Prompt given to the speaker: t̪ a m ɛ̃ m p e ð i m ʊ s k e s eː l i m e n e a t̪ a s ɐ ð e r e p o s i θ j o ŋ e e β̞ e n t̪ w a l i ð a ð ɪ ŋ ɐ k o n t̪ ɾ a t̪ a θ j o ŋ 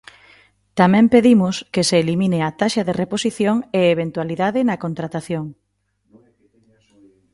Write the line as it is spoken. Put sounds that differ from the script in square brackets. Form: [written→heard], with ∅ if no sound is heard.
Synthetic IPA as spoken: t̪ a m ɛ̃ m p e ð i m ʊ s k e s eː l i m [e→i] n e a t̪ a [s→ʃ] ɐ ð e r e p o s i θ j o ŋ e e β̞ e n t̪ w a l i ð a ð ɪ [ŋ→n] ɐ k o n t̪ ɾ a t̪ a θ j o ŋ